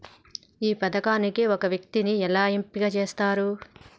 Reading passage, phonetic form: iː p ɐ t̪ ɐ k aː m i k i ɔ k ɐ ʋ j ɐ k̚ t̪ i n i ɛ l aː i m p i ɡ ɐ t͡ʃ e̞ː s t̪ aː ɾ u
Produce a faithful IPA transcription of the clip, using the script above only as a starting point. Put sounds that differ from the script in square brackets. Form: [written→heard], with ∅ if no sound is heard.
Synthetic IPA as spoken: iː p ɐ [t̪→d̪] ɐ k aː [m→n] i k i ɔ k ɐ ʋ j ɐ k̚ t̪ i n i ɛ l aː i m p i ɡ ɐ t͡ʃ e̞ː s t̪ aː ɾ u